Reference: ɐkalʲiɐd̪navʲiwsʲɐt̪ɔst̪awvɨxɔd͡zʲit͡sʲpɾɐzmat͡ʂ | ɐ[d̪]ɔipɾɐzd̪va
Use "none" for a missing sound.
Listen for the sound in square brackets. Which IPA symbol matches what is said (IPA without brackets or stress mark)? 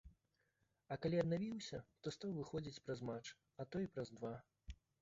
t̪